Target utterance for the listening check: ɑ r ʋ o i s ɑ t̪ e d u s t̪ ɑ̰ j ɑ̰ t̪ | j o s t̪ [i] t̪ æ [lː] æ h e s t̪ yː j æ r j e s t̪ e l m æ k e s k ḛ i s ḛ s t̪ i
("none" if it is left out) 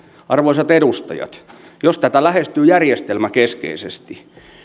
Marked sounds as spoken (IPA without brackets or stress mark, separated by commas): æ, l